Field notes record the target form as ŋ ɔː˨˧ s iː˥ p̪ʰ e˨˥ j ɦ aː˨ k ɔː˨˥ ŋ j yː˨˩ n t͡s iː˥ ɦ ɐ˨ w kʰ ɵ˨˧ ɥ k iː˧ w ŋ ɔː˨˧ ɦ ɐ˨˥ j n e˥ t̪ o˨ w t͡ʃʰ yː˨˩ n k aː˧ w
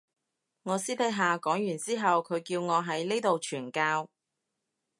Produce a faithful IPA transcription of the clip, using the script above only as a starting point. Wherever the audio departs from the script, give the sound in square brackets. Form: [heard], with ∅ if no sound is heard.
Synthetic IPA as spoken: ŋ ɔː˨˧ s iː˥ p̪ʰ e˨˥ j ɦ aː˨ k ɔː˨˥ ŋ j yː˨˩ n t͡s iː˥ ɦ ɐ˨ w kʰ ɵ˨˧ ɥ k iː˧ w ŋ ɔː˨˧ ɦ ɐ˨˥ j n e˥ t̪ o˨ w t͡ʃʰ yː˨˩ n k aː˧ w